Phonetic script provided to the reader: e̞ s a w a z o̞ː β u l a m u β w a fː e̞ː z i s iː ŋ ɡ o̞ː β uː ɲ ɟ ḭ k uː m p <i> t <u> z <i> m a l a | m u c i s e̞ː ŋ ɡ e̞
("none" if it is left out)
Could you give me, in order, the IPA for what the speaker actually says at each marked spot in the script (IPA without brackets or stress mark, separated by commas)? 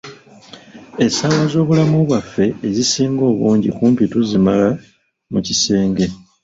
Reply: i, u, i